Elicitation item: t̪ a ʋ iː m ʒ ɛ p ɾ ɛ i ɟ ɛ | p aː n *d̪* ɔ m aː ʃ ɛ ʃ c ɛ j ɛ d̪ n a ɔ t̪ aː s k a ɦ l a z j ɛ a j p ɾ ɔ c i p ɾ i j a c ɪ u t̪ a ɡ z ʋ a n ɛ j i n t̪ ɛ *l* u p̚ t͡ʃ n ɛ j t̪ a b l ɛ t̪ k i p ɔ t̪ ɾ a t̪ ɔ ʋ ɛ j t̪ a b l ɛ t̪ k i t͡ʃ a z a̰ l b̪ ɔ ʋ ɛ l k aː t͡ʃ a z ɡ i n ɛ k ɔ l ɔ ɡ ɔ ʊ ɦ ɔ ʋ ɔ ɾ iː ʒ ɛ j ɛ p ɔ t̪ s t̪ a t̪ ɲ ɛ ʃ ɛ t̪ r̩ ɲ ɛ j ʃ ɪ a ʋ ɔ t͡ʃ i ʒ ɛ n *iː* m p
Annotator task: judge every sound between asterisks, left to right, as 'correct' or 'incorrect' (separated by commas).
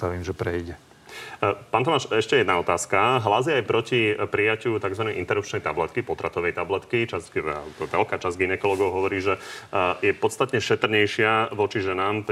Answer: incorrect, incorrect, incorrect